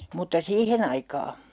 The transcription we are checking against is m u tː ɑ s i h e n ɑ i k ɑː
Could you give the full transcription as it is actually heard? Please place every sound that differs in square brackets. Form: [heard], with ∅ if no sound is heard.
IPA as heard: m u tː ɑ s [iː] h e n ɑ i k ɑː